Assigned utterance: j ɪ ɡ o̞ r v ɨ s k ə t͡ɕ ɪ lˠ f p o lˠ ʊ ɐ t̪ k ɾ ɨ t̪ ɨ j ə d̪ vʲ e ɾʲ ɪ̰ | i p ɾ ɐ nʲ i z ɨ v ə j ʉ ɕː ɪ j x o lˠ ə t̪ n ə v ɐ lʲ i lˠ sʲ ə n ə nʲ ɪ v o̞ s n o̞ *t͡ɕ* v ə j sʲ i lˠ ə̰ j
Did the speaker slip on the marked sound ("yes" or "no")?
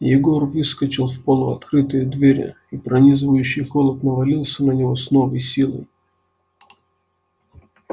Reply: yes